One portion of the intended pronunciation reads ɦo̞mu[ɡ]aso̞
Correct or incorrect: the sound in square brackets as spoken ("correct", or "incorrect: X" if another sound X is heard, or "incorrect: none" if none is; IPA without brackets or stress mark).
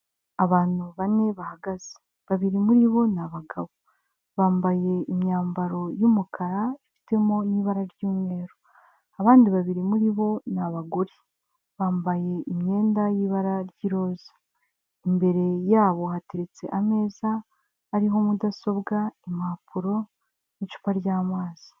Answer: incorrect: d